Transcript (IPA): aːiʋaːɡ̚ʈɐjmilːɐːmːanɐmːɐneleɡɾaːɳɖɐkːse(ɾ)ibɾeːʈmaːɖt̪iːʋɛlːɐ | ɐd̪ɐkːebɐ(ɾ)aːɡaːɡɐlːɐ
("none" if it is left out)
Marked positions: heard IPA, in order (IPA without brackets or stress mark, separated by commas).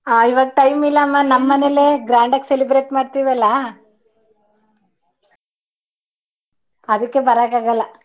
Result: l, ɾ